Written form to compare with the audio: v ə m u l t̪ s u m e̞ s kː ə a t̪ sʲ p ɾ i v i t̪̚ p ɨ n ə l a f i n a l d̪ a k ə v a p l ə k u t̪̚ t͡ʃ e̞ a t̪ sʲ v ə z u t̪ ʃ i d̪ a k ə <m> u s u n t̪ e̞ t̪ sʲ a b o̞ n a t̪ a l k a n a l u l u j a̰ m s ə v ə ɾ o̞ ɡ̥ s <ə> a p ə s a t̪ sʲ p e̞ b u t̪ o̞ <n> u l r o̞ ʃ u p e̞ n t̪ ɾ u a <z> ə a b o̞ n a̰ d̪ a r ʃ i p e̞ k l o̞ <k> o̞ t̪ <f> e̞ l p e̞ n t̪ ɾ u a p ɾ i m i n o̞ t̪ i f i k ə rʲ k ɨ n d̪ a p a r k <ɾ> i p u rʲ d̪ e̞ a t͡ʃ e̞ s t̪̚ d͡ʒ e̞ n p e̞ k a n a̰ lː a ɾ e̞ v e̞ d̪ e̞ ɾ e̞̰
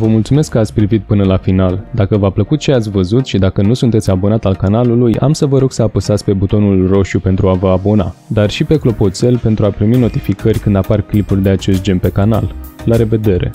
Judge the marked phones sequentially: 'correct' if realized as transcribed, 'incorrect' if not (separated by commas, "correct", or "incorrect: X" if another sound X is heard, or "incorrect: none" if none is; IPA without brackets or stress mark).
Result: incorrect: n, correct, correct, incorrect: v, incorrect: p, incorrect: s, incorrect: l